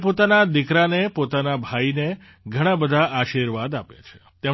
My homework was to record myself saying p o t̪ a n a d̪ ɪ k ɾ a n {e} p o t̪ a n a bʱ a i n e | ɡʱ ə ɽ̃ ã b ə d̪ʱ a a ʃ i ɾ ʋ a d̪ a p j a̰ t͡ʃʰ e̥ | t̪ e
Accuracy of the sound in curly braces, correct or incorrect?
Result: correct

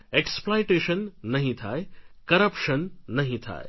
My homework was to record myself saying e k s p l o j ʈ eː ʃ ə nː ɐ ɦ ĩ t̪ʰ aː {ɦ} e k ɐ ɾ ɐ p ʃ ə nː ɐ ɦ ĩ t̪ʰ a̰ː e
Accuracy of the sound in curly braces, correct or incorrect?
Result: incorrect: none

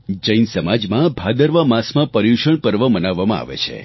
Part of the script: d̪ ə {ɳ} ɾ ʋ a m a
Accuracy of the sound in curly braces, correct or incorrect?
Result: incorrect: none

